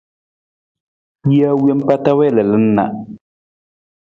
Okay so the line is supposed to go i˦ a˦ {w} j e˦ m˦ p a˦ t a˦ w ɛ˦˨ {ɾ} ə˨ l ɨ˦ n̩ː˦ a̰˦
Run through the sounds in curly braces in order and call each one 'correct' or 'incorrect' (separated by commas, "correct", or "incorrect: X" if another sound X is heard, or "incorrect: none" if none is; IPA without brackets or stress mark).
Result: correct, incorrect: l